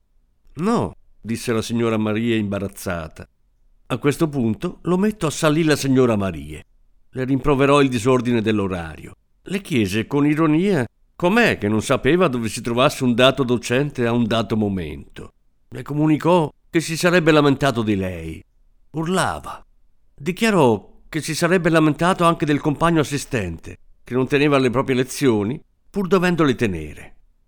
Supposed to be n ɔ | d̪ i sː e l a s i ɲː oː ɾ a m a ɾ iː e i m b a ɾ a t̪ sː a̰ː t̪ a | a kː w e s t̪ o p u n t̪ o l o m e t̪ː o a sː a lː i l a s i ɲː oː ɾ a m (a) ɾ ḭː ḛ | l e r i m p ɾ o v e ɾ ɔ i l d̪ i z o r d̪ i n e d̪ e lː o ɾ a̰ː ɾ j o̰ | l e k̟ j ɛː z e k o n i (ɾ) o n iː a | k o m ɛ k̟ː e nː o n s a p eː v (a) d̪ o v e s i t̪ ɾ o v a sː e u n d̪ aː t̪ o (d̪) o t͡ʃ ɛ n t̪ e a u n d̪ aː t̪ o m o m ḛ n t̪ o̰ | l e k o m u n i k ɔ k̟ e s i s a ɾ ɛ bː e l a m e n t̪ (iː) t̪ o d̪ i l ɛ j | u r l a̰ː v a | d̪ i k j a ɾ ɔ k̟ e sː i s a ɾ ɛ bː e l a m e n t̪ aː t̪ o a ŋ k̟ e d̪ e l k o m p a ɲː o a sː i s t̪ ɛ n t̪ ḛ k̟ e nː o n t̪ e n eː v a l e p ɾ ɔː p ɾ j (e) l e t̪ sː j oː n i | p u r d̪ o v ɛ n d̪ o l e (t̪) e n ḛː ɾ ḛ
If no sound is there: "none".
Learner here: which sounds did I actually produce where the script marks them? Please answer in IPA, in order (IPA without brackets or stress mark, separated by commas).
a, ɾ, a, d̪, aː, e, t̪